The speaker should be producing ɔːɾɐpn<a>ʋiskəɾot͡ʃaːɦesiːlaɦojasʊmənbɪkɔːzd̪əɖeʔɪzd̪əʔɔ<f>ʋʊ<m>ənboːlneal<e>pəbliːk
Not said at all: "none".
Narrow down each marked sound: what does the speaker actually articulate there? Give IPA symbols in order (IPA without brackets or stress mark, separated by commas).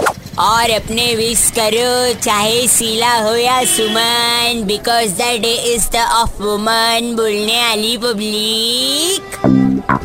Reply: e, f, m, i